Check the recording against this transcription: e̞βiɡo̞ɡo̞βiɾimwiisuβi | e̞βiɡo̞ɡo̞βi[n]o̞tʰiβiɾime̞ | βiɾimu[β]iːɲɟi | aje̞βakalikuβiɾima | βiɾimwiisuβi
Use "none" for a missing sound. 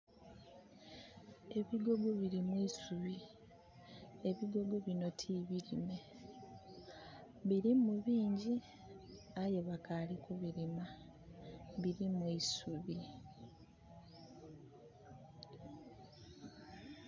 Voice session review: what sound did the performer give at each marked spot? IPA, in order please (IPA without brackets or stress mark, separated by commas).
n, β